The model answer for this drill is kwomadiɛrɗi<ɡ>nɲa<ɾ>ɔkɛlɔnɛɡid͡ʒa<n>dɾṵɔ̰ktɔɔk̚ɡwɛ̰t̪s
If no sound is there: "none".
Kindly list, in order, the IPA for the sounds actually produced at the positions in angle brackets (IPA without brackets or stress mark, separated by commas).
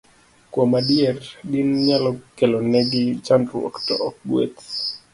none, l, n